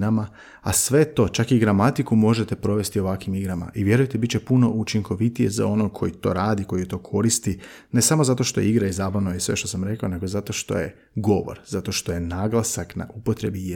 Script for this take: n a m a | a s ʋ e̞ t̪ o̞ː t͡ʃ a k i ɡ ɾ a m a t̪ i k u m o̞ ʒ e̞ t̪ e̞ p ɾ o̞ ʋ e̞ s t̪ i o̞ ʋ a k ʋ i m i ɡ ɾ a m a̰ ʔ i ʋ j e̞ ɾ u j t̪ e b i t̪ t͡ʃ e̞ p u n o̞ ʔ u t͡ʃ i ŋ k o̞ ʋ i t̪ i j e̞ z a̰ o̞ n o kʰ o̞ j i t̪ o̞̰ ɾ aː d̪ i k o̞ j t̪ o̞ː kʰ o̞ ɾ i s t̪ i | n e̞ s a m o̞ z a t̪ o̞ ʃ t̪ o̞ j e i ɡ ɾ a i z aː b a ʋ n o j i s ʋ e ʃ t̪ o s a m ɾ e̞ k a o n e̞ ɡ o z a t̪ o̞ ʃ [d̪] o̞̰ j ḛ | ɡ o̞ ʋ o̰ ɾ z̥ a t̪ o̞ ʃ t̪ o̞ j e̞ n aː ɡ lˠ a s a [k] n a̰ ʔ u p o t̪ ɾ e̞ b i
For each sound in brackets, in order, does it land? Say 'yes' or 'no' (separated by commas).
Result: no, yes